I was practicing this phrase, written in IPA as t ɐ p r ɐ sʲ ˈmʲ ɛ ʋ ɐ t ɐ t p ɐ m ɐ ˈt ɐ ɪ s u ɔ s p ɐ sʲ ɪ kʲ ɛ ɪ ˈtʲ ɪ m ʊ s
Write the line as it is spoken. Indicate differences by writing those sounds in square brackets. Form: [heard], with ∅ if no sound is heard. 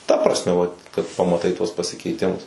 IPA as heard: t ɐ p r ɐ sʲ ˈmʲ ɛ ʋ ɐ [k] ɐ t p ɐ m ɐ ˈt ɐ ɪ [t] u ɔ s p ɐ sʲ ɪ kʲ ɛ ɪ ˈtʲ ɪ m ʊ s

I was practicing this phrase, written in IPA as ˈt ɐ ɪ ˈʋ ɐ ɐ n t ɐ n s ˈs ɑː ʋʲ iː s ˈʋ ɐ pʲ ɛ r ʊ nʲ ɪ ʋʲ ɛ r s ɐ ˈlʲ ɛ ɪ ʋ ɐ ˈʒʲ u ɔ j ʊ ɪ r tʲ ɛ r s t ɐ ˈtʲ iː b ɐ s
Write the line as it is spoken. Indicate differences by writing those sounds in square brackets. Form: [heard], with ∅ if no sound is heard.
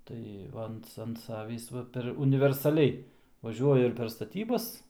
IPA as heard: ˈt ɐ ɪ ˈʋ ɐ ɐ n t ɐ n [t] ˈs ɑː ʋʲ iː s ˈʋ ɐ pʲ ɛ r ʊ nʲ ɪ ʋʲ ɛ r s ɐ ˈlʲ ɛ ɪ ʋ ɐ ˈʒʲ u ɔ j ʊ ɪ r [pʲ] ɛ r s t ɐ ˈtʲ iː b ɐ s

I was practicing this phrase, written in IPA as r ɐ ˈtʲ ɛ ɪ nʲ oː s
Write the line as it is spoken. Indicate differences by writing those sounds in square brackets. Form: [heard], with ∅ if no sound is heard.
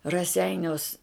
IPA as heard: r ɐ [ˈsʲ] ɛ ɪ nʲ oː s

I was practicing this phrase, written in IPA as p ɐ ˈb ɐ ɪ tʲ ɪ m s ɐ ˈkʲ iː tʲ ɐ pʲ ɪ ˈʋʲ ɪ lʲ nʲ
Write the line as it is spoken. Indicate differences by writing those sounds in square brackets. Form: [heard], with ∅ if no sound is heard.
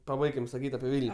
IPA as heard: p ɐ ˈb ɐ ɪ [kʲ] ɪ m s ɐ ˈkʲ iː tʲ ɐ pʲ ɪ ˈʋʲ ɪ lʲ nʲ

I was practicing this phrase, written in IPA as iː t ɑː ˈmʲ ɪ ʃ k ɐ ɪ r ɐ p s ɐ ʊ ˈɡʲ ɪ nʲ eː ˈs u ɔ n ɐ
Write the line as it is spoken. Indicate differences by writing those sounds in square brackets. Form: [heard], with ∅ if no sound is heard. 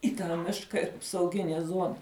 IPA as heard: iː t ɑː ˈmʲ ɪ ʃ k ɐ ɪ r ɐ p s ɐ ʊ ˈɡʲ ɪ nʲ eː [ˈz] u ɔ n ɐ

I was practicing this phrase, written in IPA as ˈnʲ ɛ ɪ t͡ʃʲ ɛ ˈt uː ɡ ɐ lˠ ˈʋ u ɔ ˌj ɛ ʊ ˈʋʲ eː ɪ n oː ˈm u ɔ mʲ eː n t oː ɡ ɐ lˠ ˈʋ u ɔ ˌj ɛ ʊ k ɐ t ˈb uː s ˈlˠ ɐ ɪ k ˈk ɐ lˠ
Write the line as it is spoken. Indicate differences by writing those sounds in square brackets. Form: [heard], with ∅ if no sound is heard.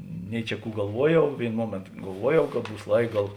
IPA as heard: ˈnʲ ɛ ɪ t͡ʃʲ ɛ [ˈk] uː ɡ ɐ lˠ ˈʋ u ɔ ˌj ɛ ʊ ˈʋʲ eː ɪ n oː ˈm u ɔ mʲ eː n t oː ɡ ɐ lˠ ˈʋ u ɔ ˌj ɛ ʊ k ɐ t ˈb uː s ˈlˠ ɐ ɪ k [ˈɡ] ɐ lˠ

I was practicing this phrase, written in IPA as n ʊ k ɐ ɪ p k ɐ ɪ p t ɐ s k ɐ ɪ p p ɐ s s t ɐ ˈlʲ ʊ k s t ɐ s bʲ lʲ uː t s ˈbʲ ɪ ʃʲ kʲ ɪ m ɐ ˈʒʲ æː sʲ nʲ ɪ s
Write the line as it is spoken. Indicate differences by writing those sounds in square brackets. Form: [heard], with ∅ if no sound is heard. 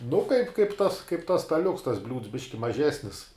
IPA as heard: n ʊ k ɐ ɪ p k ɐ ɪ p t ɐ s k ɐ ɪ p [t] ɐ s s t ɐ ˈlʲ ʊ k s t ɐ s bʲ lʲ uː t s ˈbʲ ɪ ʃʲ kʲ ɪ m ɐ ˈʒʲ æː sʲ nʲ ɪ s

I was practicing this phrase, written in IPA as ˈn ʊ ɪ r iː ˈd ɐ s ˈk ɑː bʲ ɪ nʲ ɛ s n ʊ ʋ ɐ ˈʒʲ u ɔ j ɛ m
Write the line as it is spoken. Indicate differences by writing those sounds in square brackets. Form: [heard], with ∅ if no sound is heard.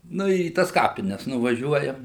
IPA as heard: ˈn ʊ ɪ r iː [ˈt] ɐ s ˈk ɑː [pʲ] ɪ nʲ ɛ s n ʊ ʋ ɐ ˈʒʲ u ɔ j ɛ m

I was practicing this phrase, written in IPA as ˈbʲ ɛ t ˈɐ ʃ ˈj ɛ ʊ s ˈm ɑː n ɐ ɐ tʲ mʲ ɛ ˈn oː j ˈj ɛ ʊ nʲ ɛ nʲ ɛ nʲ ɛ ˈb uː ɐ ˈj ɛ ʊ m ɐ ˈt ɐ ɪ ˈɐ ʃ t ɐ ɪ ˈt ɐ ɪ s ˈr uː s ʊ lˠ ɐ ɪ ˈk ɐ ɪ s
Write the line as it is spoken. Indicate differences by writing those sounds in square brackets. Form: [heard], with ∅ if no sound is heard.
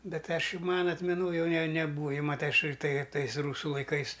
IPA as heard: ˈbʲ ɛ t ˈɐ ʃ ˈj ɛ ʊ [∅] ˈm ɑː n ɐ ɐ tʲ mʲ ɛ ˈn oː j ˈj ɛ ʊ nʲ ɛ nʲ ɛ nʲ ɛ ˈb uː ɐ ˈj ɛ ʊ m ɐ ˈt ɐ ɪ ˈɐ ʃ t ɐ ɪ ˈt ɐ ɪ s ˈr uː s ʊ lˠ ɐ ɪ ˈk ɐ ɪ s

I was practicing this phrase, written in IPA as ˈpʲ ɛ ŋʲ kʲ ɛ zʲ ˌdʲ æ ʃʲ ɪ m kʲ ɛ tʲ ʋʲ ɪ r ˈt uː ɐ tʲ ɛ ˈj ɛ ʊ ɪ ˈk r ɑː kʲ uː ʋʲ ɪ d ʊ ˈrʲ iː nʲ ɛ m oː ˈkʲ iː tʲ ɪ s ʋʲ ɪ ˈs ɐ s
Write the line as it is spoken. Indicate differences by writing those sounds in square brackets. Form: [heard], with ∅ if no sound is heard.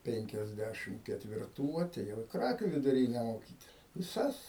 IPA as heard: ˈpʲ ɛ ŋʲ kʲ ɛ zʲ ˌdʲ æ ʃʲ ɪ m kʲ ɛ tʲ ʋʲ ɪ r ˈt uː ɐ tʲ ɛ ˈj ɛ ʊ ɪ ˈk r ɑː kʲ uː ʋʲ ɪ d ʊ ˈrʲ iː nʲ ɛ m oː ˈkʲ iː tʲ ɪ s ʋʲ ɪ ˈs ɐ s

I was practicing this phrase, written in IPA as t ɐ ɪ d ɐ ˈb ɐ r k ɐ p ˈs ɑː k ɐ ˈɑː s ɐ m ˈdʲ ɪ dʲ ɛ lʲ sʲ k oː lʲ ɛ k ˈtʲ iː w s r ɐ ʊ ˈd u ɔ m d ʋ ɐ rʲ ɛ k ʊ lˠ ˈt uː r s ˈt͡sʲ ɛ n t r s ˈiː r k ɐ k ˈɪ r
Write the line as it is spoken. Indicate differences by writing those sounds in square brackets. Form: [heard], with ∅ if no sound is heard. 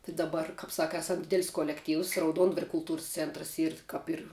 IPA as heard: t ɐ ɪ d ɐ ˈb ɐ r k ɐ p ˈs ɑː k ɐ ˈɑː s ɐ m ˈdʲ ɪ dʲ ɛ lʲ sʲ k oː lʲ ɛ k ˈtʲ iː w s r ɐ ʊ ˈd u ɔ [n] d ʋ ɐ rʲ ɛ k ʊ lˠ ˈt uː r s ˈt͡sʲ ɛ n t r s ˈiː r k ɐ [p] ˈɪ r

